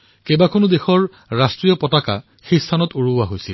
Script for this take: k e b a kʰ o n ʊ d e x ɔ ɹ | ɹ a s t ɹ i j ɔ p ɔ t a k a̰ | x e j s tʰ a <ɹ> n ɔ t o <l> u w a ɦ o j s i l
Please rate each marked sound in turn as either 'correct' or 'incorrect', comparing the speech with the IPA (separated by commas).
incorrect, incorrect